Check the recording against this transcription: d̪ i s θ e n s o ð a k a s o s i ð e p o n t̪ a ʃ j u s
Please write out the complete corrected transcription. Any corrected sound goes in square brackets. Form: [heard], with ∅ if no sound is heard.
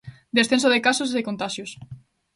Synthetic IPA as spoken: d̪ [e] s θ e n s o ð [e] k a s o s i ð e [k] o n t̪ a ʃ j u s